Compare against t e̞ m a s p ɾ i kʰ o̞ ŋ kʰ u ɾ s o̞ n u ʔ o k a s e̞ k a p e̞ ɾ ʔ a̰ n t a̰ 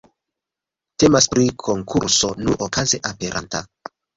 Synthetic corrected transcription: t e̞ m a s p ɾ i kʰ o̞ ŋ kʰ u ɾ s o̞ n u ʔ o k a z e̞ ʔ a p e̞ ɾ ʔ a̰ n t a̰